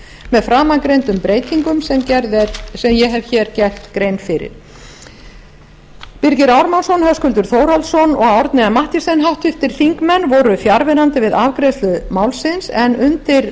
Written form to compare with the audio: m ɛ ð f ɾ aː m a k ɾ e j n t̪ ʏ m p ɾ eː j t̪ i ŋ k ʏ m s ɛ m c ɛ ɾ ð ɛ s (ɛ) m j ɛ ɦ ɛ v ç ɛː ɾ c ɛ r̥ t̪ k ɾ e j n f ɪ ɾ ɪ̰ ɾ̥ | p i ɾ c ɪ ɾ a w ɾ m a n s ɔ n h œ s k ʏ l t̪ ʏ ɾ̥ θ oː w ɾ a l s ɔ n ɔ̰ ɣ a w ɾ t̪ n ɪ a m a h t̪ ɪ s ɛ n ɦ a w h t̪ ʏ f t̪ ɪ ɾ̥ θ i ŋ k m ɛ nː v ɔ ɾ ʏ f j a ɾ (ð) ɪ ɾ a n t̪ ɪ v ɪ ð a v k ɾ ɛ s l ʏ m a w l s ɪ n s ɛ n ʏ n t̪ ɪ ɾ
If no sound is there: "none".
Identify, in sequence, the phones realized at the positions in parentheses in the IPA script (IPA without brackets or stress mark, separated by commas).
ɛ, v